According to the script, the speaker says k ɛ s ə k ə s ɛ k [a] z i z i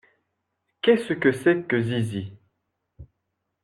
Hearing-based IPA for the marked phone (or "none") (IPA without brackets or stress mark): ə